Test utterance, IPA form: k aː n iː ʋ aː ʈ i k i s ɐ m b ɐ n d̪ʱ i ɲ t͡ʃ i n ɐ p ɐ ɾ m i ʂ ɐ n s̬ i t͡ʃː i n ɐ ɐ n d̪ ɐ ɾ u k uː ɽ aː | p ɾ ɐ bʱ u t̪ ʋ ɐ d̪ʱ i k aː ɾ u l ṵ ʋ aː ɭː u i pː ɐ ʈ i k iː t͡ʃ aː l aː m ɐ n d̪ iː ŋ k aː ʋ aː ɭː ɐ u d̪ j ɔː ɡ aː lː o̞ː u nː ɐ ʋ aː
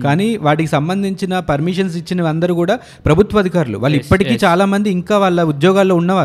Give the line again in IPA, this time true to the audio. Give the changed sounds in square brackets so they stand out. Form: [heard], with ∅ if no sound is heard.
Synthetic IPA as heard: k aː n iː ʋ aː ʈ i k i s ɐ m b ɐ n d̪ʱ i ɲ t͡ʃ i n ɐ p ɐ ɾ m i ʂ ɐ n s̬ i t͡ʃː i n ɐ ɐ n d̪ ɐ ɾ u k uː ɽ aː | p ɾ ɐ bʱ u t̪ ʋ ɐ d̪ʱ i k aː ɾ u l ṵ ʋ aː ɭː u i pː ɐ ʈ i k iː t͡ʃ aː l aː m ɐ n d̪ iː ŋ k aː ʋ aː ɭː ɐ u d̪ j ɔː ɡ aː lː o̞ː u nː ɐ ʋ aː